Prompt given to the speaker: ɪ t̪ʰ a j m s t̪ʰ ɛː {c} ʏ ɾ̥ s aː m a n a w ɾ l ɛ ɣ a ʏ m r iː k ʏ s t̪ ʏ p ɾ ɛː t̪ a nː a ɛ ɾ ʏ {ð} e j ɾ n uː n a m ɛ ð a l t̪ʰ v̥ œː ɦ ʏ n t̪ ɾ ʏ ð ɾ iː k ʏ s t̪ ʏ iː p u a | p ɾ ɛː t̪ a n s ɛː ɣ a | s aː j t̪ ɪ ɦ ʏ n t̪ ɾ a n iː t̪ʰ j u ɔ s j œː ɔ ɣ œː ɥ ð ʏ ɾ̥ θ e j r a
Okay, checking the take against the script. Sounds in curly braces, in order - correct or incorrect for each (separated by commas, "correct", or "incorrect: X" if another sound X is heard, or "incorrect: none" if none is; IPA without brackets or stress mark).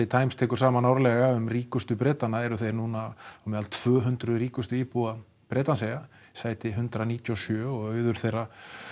incorrect: k, incorrect: θ